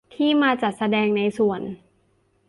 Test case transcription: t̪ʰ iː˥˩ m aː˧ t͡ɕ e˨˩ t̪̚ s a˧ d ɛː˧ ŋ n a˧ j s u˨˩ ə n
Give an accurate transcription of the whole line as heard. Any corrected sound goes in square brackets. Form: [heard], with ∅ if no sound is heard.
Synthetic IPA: t̪ʰ iː˥˩ m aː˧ t͡ɕ [a˨˩] t̪̚ s a˧ d ɛː˧ ŋ n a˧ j s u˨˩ ə n